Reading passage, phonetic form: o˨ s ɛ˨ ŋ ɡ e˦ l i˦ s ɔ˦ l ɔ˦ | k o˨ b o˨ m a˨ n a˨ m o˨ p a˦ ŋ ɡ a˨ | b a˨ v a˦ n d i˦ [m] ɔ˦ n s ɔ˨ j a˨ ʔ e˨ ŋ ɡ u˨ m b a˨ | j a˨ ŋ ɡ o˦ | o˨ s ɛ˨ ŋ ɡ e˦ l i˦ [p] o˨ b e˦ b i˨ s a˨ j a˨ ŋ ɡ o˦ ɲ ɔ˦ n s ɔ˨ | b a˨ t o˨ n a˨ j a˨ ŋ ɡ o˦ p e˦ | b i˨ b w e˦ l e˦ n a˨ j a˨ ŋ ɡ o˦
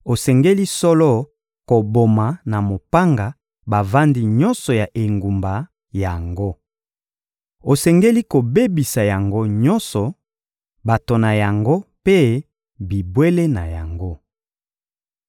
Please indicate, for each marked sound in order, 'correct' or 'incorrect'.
incorrect: ɲ, incorrect: k

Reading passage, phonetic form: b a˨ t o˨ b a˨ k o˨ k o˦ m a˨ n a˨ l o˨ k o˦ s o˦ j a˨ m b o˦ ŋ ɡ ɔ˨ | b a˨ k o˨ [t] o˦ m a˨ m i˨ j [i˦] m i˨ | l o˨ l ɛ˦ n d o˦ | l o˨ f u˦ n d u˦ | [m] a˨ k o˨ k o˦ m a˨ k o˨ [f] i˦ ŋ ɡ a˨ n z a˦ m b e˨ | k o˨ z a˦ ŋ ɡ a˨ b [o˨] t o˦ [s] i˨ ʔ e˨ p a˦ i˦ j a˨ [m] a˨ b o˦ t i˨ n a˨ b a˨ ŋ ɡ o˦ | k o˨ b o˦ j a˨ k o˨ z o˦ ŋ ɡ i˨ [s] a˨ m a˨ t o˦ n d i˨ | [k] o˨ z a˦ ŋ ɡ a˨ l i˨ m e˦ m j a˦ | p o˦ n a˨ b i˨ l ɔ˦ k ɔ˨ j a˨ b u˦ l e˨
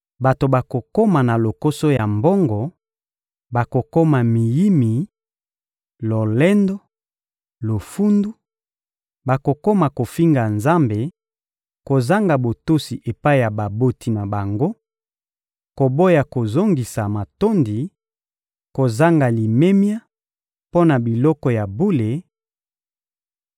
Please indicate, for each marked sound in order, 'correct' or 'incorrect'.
incorrect: k, correct, incorrect: b, correct, correct, correct, incorrect: b, correct, correct

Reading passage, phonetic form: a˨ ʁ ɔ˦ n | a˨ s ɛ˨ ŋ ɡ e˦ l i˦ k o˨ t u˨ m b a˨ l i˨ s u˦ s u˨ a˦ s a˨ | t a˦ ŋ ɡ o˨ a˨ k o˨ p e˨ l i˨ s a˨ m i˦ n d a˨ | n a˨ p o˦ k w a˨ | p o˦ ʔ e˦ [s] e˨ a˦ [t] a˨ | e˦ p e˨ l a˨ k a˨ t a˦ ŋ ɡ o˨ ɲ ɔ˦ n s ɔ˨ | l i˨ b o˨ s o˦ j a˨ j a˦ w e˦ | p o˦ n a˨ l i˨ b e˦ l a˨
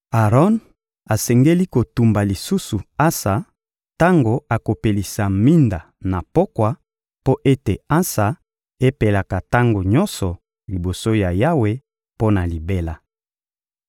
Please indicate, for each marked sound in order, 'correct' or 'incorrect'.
incorrect: t, incorrect: s

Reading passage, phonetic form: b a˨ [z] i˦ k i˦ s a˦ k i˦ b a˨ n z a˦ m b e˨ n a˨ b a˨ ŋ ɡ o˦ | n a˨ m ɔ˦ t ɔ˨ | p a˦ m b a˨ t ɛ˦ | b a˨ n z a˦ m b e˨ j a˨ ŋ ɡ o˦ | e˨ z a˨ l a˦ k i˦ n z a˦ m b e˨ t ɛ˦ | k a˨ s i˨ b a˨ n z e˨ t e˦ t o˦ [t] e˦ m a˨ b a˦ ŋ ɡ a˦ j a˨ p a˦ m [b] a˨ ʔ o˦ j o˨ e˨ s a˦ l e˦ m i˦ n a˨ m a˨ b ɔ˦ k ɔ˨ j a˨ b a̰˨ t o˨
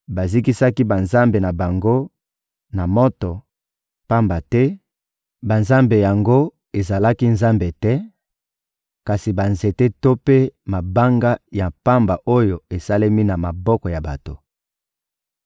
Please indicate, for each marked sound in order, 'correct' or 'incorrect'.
correct, incorrect: p, correct

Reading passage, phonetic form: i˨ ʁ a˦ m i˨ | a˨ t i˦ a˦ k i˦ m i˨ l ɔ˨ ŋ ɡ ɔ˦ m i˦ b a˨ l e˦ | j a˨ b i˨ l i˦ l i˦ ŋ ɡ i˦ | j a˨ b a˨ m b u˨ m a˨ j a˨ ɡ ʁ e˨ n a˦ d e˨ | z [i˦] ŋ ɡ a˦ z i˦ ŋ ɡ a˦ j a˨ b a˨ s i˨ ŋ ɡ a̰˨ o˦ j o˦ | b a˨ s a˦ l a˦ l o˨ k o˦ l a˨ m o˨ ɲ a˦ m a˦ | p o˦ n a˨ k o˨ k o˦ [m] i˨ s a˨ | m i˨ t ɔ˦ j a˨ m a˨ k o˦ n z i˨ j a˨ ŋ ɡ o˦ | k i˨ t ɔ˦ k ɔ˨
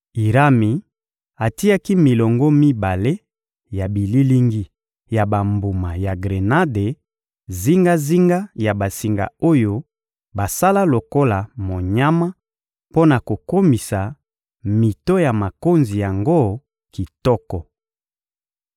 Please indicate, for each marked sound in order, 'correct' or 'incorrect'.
correct, correct

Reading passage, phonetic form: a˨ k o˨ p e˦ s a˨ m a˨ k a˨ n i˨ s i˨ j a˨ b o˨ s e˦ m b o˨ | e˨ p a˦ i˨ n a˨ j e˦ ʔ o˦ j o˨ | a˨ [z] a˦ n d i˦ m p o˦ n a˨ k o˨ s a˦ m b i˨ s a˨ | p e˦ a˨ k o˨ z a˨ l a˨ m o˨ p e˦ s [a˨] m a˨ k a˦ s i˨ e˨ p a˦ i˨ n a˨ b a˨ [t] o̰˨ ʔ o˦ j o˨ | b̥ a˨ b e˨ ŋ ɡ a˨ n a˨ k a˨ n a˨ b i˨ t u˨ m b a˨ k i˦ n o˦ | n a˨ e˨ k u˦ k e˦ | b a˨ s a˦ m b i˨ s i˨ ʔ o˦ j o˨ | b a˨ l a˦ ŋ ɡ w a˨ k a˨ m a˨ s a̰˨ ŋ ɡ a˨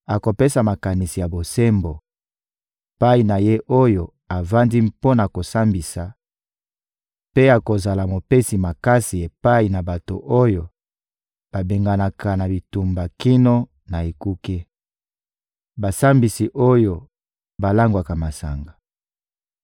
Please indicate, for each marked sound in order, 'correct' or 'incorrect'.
incorrect: v, incorrect: i˨, correct

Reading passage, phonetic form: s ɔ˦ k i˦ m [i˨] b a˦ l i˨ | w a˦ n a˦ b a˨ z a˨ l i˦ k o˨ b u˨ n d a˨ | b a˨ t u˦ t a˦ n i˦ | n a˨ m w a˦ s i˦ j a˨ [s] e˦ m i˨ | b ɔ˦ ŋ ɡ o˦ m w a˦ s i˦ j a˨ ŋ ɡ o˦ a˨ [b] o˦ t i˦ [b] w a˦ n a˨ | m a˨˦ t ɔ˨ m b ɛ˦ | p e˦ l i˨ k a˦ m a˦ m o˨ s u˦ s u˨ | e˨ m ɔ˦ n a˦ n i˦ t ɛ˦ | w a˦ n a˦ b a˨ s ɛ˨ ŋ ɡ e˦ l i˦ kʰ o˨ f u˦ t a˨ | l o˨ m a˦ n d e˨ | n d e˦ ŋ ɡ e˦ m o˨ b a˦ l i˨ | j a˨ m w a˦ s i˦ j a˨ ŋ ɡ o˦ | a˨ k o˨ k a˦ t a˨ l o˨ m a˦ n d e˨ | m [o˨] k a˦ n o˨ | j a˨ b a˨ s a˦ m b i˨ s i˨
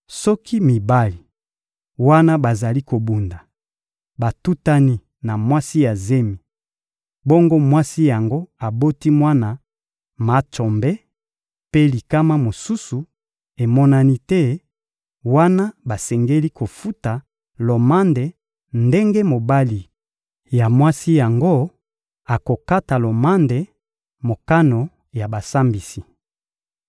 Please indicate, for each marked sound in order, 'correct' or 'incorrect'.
correct, incorrect: z, correct, incorrect: m, correct

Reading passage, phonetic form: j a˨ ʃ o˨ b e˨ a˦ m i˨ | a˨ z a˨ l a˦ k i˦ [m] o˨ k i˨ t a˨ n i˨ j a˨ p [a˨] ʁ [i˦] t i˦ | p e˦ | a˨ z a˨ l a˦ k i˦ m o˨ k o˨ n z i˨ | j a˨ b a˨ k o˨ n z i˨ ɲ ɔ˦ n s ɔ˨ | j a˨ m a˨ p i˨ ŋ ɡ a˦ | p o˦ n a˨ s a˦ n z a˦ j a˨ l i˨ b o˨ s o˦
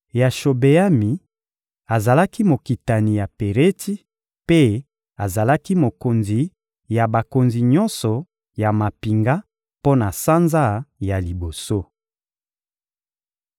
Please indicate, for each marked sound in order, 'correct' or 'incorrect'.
correct, incorrect: e˨, incorrect: e˦

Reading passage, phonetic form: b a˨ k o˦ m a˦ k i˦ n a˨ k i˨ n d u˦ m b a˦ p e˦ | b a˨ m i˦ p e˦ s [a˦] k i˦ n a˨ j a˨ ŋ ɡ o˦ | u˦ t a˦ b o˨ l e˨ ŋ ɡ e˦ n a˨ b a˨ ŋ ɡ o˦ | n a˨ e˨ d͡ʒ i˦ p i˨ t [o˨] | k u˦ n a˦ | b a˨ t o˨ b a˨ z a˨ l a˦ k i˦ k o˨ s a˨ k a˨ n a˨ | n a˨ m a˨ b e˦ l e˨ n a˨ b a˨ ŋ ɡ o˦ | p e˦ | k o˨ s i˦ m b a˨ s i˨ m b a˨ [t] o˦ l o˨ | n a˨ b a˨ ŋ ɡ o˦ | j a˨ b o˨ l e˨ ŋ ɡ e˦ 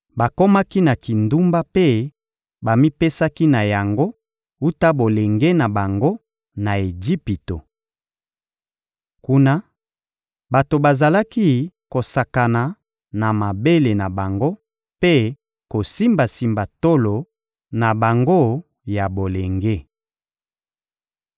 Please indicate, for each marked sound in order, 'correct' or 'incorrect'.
correct, correct, correct

